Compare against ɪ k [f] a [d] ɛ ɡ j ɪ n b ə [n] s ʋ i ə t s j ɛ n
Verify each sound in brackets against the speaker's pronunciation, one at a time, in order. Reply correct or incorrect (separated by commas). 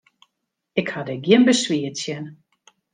incorrect, correct, incorrect